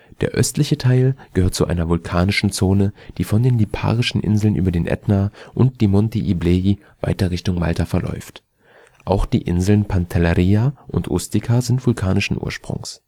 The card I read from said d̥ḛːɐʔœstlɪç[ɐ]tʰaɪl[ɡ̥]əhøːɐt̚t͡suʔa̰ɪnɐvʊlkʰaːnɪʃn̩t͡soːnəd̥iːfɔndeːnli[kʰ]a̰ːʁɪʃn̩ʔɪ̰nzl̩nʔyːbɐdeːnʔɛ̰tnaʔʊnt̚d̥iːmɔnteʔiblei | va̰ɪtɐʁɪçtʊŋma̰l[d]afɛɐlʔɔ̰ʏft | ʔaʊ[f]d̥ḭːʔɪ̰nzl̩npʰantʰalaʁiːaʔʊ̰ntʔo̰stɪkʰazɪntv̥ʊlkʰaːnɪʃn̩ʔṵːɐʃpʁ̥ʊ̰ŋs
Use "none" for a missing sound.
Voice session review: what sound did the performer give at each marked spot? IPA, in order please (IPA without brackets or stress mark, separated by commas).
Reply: ə, ɡ̥, pʰ, t, x